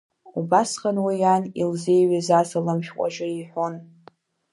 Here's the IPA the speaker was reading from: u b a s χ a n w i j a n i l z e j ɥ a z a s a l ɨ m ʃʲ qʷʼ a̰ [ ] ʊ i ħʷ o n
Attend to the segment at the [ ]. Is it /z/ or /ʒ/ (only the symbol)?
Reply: ʒ